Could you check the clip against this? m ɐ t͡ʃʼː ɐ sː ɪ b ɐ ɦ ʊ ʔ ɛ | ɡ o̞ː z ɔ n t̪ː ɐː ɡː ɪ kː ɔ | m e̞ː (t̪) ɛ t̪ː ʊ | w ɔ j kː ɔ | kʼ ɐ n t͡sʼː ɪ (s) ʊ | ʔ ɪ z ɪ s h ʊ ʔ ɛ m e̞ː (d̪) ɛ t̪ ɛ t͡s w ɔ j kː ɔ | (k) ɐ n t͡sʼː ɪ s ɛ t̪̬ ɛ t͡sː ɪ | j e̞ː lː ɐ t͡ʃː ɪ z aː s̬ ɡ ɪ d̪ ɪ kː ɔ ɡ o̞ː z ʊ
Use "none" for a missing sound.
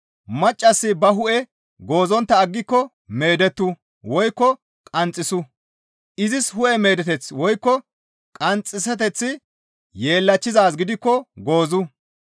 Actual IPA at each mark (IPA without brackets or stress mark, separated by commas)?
d̪, s, d̪, kʼ